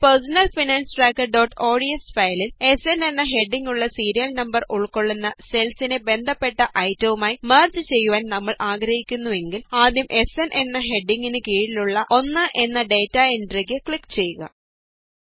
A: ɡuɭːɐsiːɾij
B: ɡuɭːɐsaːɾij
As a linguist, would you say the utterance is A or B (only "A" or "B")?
A